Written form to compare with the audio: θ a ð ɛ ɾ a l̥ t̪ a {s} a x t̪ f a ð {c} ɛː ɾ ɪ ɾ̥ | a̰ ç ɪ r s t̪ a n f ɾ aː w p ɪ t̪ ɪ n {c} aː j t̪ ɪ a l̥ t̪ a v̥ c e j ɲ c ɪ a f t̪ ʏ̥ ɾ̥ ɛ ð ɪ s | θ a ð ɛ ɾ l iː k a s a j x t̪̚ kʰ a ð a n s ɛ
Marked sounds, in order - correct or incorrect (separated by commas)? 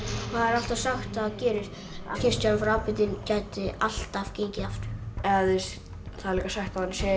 correct, correct, correct